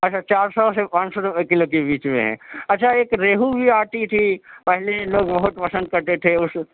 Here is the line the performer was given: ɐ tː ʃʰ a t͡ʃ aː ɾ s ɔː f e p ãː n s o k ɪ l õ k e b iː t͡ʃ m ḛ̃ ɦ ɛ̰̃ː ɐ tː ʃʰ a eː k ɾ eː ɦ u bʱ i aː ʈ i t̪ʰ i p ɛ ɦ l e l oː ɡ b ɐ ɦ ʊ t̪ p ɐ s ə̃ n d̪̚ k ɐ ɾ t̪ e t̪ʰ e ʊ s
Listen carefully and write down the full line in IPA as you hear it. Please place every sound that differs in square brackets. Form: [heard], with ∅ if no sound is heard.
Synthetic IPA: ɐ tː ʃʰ a t͡ʃ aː ɾ s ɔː [s] e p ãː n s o k ɪ l [o] k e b iː t͡ʃ m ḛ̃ ɦ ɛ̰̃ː ɐ tː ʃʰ a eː k ɾ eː ɦ u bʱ i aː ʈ i t̪ʰ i p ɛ ɦ l e l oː ɡ b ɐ ɦ ʊ t̪ p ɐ s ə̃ n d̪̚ k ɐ ɾ t̪ e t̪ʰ e ʊ s